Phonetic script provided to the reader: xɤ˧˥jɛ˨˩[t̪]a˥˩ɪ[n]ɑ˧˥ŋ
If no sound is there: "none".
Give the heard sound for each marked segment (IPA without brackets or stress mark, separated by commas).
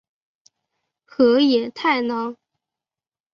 t̪ʰ, n